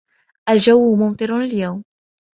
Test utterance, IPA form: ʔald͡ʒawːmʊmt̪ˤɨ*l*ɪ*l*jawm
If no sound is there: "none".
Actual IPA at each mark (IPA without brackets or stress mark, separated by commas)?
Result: ɾ, l